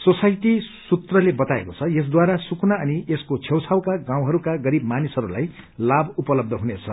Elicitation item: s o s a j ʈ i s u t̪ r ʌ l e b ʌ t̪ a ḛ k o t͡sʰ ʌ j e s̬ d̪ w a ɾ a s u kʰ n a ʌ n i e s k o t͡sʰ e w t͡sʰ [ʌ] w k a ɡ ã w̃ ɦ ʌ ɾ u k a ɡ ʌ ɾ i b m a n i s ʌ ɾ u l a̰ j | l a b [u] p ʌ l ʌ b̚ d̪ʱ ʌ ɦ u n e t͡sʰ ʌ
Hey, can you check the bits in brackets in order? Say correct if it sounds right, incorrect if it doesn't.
incorrect, correct

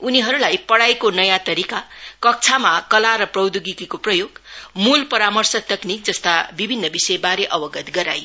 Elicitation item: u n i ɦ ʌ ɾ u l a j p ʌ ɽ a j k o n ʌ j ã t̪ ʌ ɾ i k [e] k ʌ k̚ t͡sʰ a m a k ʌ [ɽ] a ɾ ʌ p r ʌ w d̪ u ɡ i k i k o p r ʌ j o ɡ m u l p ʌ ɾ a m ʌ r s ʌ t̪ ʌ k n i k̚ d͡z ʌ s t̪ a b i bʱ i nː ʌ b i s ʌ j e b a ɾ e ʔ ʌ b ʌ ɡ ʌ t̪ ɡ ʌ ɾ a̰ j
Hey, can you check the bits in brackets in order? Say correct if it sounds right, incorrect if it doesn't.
incorrect, incorrect

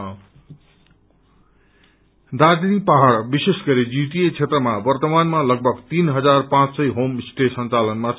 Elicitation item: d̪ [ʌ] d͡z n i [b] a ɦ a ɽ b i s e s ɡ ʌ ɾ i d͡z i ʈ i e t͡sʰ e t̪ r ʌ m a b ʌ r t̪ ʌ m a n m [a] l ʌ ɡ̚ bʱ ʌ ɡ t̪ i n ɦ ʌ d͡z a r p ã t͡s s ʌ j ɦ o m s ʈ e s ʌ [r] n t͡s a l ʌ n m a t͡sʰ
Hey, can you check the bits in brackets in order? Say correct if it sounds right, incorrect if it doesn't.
incorrect, incorrect, correct, incorrect

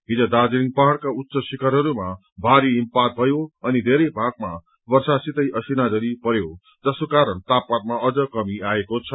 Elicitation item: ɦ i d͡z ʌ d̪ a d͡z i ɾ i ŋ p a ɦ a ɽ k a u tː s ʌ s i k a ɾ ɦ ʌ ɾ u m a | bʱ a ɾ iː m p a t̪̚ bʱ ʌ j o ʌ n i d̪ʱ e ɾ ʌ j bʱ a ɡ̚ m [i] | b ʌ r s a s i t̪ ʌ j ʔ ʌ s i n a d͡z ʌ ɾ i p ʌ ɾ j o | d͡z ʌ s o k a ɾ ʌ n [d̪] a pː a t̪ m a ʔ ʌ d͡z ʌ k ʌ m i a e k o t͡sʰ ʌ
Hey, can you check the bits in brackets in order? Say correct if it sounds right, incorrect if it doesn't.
incorrect, incorrect

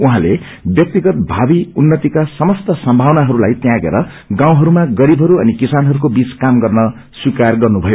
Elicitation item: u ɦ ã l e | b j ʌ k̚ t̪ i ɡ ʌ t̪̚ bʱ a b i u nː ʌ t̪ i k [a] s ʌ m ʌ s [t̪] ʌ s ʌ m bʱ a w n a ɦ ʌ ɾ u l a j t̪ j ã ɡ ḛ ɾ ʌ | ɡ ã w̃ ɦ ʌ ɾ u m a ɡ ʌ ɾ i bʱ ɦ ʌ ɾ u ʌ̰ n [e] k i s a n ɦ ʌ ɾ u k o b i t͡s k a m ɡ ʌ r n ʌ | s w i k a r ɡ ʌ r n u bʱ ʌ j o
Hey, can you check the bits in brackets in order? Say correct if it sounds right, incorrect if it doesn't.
correct, correct, incorrect

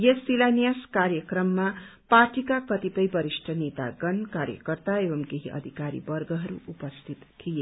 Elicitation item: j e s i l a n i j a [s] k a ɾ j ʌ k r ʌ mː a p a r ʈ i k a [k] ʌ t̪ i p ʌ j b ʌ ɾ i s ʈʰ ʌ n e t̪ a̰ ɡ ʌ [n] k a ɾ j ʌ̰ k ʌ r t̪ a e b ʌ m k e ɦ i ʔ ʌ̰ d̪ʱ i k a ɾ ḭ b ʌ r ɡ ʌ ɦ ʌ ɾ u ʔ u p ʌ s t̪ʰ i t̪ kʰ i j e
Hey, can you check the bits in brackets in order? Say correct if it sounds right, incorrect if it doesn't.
correct, correct, correct

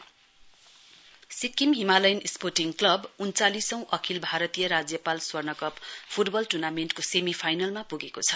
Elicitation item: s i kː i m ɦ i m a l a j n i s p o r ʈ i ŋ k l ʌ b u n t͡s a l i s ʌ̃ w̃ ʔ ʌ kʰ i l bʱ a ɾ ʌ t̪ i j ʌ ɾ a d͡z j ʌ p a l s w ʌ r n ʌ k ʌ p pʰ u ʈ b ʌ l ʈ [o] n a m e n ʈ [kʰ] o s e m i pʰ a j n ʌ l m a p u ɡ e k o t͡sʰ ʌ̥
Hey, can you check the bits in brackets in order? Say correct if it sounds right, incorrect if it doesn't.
incorrect, incorrect

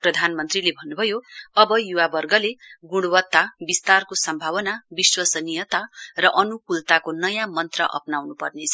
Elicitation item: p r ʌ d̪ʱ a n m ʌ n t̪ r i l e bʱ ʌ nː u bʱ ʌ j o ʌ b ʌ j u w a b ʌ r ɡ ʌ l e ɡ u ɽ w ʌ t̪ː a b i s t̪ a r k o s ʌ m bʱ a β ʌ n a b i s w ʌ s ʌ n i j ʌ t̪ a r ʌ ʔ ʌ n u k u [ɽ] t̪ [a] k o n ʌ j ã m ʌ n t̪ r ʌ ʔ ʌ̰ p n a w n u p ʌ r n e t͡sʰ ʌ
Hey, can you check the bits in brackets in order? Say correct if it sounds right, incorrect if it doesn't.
incorrect, correct

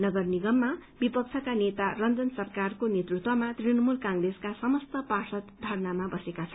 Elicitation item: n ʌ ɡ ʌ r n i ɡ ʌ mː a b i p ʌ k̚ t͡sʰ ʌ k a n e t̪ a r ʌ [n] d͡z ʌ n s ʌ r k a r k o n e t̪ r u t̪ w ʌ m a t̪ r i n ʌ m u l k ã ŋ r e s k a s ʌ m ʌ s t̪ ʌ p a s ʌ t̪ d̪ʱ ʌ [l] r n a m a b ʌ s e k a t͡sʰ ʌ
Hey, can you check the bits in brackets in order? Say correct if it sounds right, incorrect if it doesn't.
correct, incorrect

